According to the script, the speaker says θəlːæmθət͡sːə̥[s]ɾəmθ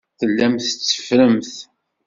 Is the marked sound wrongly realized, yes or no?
yes